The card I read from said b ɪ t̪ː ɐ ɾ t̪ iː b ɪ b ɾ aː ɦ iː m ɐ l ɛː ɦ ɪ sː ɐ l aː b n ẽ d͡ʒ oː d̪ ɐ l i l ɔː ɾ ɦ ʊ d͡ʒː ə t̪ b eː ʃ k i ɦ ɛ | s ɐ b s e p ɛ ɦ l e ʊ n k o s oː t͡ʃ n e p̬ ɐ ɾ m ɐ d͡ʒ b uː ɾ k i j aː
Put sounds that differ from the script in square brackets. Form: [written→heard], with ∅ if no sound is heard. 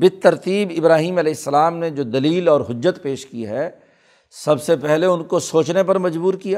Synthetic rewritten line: b ɪ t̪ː ɐ ɾ t̪ iː b ɪ b ɾ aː ɦ iː m ɐ l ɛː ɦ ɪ sː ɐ l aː [b→m] n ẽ d͡ʒ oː d̪ ɐ l [i→iː] l ɔː ɾ ɦ ʊ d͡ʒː ə t̪ [b→p] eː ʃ k i ɦ ɛ | s ɐ b s e p ɛ ɦ l e ʊ n k o s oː t͡ʃ n e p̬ ɐ ɾ m ɐ d͡ʒ b uː ɾ k i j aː